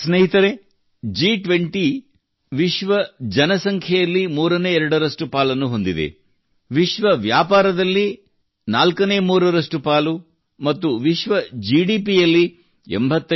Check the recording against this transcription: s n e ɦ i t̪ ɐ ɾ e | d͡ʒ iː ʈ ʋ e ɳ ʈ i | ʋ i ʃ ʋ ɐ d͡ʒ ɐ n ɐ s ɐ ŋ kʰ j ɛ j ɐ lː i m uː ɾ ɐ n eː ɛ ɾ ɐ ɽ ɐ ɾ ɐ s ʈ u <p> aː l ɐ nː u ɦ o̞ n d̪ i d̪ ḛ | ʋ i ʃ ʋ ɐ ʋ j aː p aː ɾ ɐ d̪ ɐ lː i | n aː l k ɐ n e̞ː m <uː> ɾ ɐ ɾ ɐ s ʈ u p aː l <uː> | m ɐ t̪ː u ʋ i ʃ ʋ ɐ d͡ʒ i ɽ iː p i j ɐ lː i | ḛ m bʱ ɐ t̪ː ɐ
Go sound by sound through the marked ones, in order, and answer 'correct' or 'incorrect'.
correct, correct, incorrect: u

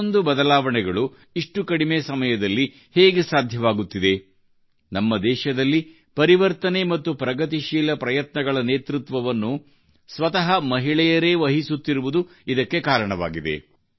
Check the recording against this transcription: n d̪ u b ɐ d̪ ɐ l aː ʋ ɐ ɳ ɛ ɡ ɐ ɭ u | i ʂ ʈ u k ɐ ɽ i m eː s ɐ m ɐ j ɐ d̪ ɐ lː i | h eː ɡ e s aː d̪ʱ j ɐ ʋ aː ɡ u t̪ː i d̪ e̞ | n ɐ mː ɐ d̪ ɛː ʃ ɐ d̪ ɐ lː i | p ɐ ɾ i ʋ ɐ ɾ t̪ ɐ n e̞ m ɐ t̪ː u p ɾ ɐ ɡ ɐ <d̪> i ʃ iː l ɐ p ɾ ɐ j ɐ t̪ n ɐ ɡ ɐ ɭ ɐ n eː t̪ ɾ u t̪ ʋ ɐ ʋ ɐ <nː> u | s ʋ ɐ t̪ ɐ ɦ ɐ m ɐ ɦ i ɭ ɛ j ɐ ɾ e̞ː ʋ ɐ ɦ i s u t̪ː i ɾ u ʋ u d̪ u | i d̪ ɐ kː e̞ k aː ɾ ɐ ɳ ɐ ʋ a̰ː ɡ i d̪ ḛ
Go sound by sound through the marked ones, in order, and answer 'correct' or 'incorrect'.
incorrect: t̪, correct

